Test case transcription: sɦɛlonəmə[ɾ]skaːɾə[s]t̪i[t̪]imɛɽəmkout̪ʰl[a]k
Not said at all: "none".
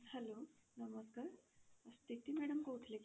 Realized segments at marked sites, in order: none, s, t̪, e

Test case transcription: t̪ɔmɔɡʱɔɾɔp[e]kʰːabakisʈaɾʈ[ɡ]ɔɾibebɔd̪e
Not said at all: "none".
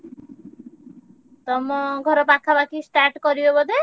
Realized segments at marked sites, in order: a, k

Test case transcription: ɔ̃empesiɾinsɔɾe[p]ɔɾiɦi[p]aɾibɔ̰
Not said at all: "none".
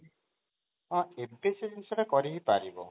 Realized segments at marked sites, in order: k, p

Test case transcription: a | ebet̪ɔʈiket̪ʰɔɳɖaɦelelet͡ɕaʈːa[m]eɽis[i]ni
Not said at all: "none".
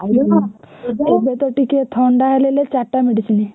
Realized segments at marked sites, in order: m, i

